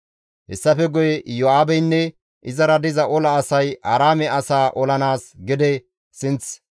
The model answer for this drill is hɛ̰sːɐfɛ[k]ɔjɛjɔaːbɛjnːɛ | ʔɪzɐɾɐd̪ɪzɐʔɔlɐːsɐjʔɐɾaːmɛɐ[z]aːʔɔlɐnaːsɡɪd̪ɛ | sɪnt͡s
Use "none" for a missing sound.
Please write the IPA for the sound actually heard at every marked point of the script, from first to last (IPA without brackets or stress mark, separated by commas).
ɡ, s